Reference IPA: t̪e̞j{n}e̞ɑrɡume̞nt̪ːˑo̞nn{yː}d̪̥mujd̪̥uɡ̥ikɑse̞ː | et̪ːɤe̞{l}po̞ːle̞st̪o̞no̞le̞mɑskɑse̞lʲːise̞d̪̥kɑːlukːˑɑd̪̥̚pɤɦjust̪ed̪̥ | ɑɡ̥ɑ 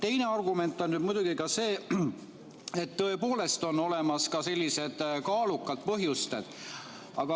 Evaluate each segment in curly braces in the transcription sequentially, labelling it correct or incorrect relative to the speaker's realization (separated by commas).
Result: correct, incorrect, incorrect